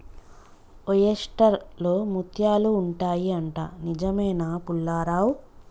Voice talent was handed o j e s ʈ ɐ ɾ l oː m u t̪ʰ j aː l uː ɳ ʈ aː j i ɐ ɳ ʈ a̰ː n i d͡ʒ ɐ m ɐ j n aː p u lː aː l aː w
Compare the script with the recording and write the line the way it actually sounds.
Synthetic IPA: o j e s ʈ ɐ ɾ l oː m u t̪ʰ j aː l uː ɳ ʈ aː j i ɐ ɳ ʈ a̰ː n i d͡ʒ ɐ m ɐ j n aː p u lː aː ɾ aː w